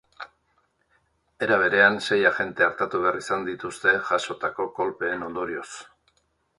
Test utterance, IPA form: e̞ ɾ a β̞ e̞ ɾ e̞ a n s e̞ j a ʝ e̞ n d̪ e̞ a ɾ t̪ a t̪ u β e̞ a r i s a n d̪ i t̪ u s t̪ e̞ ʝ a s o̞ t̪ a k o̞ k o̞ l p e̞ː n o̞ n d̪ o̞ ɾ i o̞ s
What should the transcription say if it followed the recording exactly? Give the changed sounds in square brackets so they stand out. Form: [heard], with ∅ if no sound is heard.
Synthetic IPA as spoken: e̞ ɾ a β̞ e̞ ɾ e̞ a n s e̞ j a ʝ e̞ n [t̪] e̞ a ɾ t̪ a t̪ u β e̞ a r i s a n d̪ i t̪ u s t̪ e̞ ʝ a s o̞ t̪ a k o̞ k o̞ l p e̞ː n o̞ n d̪ o̞ ɾ i o̞ s